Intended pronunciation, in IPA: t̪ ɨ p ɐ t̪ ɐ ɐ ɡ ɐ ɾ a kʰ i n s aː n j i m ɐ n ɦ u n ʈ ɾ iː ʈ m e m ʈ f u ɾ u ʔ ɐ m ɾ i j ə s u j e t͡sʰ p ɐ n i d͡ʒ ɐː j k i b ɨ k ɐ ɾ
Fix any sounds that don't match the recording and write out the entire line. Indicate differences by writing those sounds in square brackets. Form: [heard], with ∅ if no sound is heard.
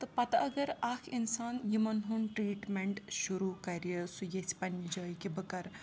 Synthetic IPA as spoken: t̪ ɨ p ɐ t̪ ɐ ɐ ɡ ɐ ɾ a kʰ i n s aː n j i m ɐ n ɦ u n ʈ ɾ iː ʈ m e [ɳ] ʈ [ʃ] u ɾ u [k] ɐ [∅] ɾ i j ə s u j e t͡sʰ p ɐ n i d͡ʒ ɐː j k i b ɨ k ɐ ɾ